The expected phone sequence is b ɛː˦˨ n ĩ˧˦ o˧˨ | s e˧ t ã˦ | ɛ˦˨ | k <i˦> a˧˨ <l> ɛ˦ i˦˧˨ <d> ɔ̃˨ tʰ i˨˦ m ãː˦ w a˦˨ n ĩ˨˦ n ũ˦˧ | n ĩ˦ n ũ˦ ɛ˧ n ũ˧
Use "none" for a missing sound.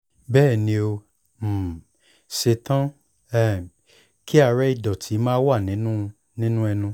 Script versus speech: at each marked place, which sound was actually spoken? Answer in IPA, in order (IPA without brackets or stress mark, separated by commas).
i˦, ɾ, d